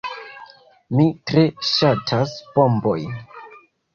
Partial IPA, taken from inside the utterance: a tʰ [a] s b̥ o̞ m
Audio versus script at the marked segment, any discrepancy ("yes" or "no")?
no